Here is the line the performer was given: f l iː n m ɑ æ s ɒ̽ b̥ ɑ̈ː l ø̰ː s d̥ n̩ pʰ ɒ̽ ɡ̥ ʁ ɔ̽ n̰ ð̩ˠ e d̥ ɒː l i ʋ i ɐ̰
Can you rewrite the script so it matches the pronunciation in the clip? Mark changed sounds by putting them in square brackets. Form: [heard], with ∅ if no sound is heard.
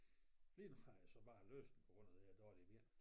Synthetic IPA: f l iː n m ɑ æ s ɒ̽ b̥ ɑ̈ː l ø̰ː s d̥ n̩ pʰ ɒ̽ ɡ̥ ʁ ɔ̽ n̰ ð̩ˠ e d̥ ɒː l i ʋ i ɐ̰